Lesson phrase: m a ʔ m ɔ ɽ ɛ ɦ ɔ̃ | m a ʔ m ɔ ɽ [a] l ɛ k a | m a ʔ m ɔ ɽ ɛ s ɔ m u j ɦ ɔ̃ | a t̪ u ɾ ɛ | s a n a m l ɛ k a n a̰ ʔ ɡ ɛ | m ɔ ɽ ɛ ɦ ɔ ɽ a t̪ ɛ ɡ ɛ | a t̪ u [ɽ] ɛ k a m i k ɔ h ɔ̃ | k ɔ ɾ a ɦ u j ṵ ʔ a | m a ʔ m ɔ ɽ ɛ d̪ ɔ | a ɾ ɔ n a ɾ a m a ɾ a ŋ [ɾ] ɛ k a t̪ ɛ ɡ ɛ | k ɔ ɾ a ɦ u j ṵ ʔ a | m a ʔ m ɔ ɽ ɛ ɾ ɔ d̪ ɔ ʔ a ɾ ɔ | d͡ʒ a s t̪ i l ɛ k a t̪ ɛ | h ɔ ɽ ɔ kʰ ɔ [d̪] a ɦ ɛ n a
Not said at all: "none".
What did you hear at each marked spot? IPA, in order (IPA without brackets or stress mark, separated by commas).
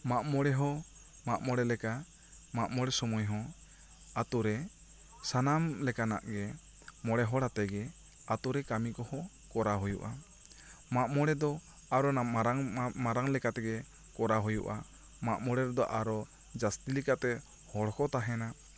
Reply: ɛ, ɾ, l, t̪